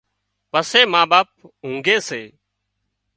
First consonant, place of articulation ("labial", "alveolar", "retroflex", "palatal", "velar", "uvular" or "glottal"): labial